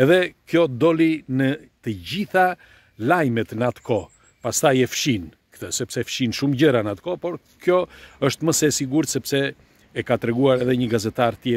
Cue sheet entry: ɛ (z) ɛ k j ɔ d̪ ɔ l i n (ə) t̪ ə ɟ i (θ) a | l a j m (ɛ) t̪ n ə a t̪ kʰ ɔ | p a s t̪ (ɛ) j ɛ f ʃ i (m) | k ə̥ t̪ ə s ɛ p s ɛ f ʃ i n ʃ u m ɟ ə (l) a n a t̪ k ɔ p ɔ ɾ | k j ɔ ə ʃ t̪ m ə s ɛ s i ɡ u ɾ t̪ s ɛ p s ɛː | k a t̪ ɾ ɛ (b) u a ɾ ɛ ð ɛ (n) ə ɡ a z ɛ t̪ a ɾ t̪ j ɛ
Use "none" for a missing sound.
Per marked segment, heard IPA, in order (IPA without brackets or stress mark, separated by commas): ð, ə, θ, ɛ, a, n, ɾ, ɡ, ɲ